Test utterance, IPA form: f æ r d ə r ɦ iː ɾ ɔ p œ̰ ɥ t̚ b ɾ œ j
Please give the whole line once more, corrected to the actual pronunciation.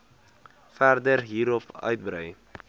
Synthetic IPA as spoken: f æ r d ə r ɦ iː ɾ ɔ p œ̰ ɥ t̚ b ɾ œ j